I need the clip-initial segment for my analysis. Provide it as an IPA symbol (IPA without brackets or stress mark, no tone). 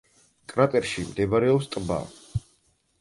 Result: kʼ